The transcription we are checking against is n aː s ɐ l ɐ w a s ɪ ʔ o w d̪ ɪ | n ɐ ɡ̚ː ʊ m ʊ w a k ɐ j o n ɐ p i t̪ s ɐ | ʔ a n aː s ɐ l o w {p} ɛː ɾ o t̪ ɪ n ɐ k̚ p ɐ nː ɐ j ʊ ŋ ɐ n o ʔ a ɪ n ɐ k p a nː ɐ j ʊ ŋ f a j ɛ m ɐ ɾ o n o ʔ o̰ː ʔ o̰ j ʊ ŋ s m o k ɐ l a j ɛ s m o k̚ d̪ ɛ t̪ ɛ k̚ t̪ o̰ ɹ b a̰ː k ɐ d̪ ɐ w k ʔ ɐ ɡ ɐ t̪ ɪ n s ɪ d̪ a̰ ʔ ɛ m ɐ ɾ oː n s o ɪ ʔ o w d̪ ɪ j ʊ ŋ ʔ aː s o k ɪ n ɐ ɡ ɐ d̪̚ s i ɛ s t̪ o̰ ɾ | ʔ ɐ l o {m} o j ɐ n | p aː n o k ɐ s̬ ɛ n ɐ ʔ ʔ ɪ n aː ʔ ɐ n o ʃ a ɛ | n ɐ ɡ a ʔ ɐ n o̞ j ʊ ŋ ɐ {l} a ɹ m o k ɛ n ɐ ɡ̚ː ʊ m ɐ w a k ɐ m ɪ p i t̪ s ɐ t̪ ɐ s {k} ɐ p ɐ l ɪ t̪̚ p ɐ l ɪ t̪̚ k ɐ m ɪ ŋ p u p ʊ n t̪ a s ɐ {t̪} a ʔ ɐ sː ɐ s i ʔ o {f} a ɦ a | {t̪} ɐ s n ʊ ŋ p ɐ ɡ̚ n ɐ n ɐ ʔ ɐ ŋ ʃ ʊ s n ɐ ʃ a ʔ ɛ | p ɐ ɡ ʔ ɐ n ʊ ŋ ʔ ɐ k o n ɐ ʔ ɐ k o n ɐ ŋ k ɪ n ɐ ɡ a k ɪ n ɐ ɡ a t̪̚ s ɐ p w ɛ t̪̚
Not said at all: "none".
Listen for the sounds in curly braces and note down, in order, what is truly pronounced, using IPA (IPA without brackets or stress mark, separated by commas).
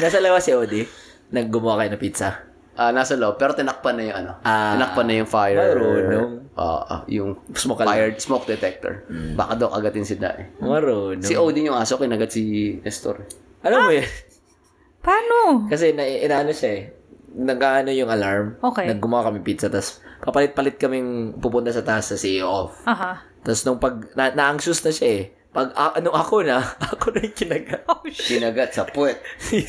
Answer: p, m, l, p, t̪, f, t̪